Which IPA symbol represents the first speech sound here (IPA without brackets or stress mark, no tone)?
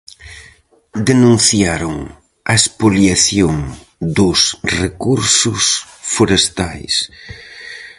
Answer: d̪